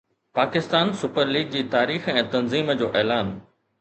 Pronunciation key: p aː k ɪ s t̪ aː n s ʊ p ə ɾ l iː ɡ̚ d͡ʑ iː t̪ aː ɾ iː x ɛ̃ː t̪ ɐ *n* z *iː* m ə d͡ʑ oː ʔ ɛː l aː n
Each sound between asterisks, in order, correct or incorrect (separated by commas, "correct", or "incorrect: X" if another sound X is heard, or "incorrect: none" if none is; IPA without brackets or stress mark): correct, correct